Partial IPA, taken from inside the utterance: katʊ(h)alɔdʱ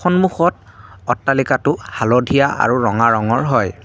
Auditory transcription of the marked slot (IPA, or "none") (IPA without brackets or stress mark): h